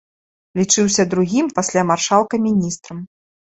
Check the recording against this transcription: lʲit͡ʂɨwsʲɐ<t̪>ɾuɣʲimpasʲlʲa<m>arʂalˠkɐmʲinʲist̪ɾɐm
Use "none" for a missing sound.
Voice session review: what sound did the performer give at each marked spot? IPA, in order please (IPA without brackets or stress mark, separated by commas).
d̪, m